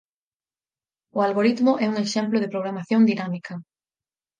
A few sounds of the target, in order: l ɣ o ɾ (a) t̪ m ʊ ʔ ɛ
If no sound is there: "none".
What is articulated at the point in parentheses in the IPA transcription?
i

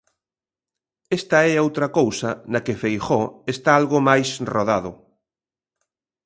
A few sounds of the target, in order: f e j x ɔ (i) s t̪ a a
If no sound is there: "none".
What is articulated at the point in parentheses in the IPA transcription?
e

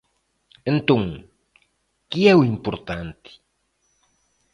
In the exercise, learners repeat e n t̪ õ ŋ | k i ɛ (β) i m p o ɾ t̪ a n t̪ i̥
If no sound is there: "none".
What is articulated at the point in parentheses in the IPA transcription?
w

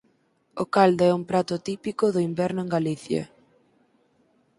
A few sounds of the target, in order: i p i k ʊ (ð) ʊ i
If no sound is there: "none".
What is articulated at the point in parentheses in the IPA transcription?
ð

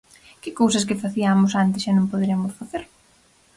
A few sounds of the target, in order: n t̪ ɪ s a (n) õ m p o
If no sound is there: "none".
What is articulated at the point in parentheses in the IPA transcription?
n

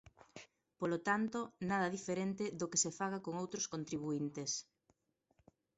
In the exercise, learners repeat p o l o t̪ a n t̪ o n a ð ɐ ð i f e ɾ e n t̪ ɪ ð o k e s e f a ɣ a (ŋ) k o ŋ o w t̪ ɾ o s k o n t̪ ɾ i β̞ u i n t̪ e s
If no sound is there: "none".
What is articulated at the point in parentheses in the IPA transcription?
none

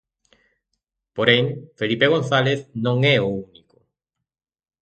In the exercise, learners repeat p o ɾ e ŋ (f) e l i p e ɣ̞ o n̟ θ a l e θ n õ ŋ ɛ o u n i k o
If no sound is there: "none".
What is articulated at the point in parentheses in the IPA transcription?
f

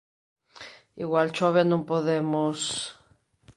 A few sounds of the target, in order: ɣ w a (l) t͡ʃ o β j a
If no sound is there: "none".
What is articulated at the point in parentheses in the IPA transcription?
l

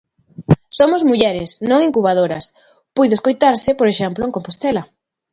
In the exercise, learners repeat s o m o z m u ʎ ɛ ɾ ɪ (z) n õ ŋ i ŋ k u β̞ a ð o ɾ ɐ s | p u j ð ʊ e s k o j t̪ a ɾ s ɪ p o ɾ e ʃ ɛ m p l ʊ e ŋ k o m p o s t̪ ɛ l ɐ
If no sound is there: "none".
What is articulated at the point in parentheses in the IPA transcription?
s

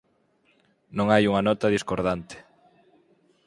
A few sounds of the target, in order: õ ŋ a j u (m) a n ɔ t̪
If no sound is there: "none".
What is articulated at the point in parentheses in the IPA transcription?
ŋ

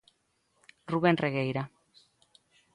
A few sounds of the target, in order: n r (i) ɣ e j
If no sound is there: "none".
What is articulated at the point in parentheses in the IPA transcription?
e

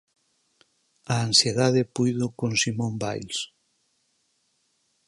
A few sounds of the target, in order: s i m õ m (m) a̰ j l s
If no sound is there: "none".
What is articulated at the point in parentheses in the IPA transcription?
b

